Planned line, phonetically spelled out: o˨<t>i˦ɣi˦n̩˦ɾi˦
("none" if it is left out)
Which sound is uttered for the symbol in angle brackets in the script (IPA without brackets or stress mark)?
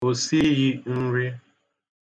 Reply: s